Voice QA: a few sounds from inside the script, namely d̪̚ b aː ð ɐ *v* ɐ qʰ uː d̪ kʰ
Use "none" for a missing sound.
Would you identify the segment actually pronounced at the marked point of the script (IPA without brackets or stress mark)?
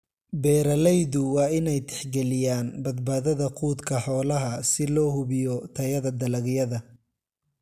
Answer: ð